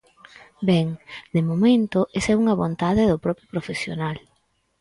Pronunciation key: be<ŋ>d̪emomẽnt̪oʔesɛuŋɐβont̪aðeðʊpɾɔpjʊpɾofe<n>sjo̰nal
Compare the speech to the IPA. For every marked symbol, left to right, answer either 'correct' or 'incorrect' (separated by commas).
correct, incorrect